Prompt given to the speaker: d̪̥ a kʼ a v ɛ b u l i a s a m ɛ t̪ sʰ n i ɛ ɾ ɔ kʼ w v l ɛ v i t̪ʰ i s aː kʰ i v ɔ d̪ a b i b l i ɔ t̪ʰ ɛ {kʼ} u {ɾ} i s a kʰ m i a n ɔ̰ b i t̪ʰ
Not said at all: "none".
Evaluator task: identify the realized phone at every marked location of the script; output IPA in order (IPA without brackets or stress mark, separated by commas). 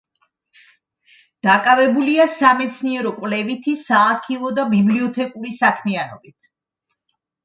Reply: kʼ, ɾ